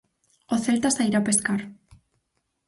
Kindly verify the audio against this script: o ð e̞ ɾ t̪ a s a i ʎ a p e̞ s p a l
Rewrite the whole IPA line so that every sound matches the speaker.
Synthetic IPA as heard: o θ e̞ l t̪ a s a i ɾ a p e̞ s k a ɾ